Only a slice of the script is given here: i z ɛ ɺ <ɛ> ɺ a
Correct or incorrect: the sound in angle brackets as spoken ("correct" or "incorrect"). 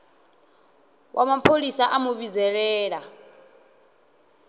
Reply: incorrect